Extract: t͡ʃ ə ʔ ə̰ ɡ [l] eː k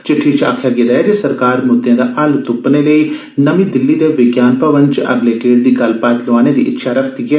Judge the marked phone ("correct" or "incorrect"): correct